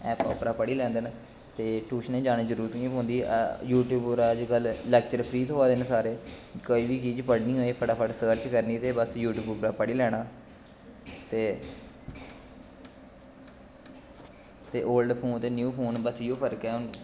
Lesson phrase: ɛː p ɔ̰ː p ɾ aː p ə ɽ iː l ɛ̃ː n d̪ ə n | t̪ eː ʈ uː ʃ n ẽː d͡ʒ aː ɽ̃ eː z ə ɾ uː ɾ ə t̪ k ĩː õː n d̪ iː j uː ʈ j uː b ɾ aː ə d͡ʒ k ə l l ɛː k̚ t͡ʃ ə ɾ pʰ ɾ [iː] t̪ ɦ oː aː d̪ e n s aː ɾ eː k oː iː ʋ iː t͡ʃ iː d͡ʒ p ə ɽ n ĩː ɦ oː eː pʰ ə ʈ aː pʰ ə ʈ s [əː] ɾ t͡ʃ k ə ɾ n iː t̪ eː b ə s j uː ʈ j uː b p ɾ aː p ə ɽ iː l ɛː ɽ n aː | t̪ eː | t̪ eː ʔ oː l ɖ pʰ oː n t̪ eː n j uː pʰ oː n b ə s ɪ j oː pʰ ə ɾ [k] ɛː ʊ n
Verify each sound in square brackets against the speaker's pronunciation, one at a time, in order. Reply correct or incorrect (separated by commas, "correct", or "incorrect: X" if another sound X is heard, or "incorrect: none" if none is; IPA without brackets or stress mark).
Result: correct, correct, correct